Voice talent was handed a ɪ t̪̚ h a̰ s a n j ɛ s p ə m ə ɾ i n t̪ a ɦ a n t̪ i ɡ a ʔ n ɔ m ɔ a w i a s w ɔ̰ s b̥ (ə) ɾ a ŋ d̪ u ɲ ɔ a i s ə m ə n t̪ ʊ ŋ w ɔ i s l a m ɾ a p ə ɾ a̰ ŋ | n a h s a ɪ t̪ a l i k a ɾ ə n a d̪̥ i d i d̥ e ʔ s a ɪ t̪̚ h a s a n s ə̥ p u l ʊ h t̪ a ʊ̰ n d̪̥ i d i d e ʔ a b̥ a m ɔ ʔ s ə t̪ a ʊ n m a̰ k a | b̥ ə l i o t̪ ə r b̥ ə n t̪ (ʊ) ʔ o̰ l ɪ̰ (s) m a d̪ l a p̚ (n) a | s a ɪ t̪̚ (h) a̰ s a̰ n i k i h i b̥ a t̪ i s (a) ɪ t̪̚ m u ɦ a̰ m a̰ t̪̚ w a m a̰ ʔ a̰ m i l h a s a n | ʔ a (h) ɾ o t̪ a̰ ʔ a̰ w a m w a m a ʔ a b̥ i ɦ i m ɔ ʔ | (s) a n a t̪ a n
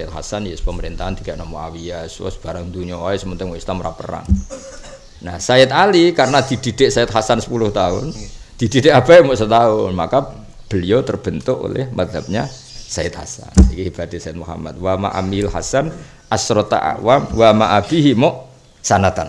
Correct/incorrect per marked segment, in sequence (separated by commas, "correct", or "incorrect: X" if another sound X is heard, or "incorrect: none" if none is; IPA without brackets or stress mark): incorrect: a, correct, incorrect: h, incorrect: ɲ, correct, correct, incorrect: s, correct